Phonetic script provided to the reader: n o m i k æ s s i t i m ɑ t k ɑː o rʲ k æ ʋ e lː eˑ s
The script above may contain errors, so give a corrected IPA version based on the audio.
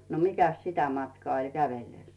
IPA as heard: n o m i k æ s s i t æ m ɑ t k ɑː o lʲ k æ ʋ e lː eˑ s

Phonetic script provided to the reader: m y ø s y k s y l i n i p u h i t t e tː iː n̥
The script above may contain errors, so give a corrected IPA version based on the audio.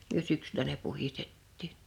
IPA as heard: m y ø s y k s y l æ n e p u h i s t e tː iː n̥

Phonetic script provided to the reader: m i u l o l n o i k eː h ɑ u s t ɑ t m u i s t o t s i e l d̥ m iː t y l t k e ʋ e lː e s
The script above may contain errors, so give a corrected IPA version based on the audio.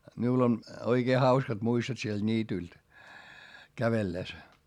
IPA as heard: m i u l o n o i k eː h ɑ u s k ɑ t m u i s t o t s i e l d̥ n iː t y l t k æ ʋ e lː e s

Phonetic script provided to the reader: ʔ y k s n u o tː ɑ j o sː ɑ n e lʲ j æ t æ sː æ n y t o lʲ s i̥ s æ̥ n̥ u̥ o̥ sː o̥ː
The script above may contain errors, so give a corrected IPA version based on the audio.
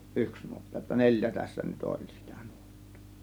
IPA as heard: ʔ y k s n u o tː ɑ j o tː ɑ n e lʲ j æ t æ sː æ n y t o lʲ s i̥ t æ̥ n̥ u̥ o̥ tː o̥ː

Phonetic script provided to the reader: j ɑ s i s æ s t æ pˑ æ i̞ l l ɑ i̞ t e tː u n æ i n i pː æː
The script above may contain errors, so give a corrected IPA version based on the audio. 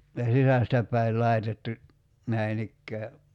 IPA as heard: j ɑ s i s æ s t æ pˑ æ i̞ l l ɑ i̞ t e tː u n æ i n i kː æː

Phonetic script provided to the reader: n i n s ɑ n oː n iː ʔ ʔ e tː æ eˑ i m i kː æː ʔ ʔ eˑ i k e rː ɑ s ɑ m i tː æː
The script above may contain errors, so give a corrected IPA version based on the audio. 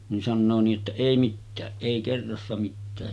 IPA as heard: n i n s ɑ nː oː n iː ʔ ʔ e tː æ eˑ i m i tː æː ʔ ʔ eˑ i k e rː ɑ sː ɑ m i tː æː

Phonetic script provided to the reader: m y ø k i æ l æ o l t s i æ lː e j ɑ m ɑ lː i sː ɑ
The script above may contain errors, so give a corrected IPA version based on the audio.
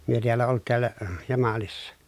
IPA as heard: m y ø t i æ lː æ o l t t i æ lː æ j ɑ m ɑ l i sː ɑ

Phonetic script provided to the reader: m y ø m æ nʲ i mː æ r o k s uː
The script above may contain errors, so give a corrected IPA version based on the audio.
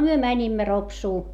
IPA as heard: m y ø m æ nʲ i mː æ r o p s uː

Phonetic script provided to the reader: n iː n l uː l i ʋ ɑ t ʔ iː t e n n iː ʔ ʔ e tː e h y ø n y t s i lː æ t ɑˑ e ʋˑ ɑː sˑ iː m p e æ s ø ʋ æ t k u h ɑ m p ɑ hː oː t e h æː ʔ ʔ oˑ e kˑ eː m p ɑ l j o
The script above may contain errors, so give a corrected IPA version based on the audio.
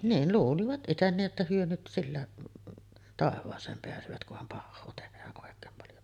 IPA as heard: n iː n l uː l i ʋ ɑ t ʔ i t e n n iː ʔ ʔ e tː æ h y ø n y t s i lː æ t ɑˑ e ʋˑ ɑː sˑ eː m p e æ s ø ʋ æ t k u h ɑ m p ɑ hː oː t e h æː ʔ ʔ oˑ e kˑ eː m p ɑ l j o

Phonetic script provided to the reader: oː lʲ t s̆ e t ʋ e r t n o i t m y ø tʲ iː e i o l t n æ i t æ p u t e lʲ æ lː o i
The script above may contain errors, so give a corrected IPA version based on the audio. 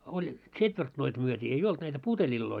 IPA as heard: o lʲ t s̆ e t ʋ e r t n o i t m y ø tʲ iː e i o l t n æ i t æ p u t e lʲ i lː o i

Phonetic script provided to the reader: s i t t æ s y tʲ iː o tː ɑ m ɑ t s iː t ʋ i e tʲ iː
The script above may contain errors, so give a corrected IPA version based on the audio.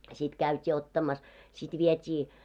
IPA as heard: s i t k æ y tʲ iː o tː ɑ m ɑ s s i t ʋ i e tʲ iː

